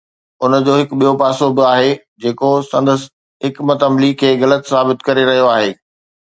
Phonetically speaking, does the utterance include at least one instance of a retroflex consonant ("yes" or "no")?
no